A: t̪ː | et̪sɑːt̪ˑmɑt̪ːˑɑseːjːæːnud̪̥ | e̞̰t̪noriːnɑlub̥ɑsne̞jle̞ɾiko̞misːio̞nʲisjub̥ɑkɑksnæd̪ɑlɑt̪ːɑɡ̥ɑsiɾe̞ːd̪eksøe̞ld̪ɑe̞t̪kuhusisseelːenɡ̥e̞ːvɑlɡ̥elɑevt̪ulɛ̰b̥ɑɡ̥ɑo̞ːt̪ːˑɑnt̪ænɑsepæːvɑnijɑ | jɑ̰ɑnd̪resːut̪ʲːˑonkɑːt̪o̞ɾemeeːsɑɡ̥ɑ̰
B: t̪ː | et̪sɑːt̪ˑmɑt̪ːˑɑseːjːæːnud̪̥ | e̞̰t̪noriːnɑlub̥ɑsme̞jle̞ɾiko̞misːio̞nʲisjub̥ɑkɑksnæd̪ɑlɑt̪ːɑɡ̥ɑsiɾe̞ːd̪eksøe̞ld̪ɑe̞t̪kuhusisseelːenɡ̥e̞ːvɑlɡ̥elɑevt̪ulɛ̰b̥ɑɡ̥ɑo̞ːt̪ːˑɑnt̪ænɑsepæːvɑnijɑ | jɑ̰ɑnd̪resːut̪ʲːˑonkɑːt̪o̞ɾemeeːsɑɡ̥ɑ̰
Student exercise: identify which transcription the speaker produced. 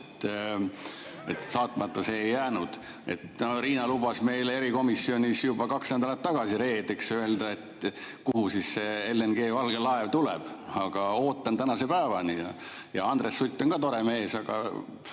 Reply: B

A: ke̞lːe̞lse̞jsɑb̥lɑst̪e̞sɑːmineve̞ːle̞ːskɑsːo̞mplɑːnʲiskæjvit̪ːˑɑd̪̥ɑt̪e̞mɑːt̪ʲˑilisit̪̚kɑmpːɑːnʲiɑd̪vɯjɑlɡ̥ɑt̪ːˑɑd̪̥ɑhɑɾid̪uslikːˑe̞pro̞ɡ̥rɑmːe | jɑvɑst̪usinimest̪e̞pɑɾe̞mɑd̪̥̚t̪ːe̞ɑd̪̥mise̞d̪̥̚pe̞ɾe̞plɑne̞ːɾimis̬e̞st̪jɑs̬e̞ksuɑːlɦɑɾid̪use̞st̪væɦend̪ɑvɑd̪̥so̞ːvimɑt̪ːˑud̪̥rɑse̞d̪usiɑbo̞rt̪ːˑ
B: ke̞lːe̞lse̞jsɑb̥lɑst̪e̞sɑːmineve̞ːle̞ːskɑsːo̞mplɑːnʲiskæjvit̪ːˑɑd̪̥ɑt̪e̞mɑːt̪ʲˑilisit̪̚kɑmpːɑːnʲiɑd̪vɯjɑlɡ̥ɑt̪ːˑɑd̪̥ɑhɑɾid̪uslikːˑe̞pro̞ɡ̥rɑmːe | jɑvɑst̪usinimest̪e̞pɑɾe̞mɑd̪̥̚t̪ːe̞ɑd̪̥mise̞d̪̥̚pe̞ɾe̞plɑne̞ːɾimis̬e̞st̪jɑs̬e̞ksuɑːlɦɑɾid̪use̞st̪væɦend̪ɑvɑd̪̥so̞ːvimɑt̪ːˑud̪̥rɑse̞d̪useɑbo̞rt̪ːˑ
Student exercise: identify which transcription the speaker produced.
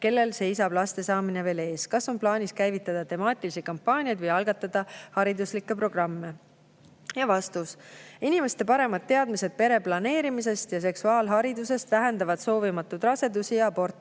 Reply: A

